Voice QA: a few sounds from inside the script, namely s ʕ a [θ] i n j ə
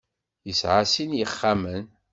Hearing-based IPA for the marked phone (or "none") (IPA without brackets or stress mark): s